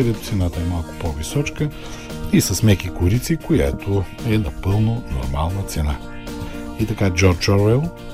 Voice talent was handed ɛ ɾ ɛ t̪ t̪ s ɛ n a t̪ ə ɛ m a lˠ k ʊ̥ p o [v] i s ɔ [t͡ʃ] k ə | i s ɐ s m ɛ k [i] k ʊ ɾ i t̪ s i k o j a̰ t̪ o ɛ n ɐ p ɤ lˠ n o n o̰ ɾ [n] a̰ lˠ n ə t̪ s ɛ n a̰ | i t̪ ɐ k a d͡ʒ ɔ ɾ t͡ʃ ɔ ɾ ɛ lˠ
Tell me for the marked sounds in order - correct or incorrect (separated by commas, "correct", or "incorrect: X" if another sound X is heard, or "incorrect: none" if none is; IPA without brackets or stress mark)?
correct, correct, correct, incorrect: m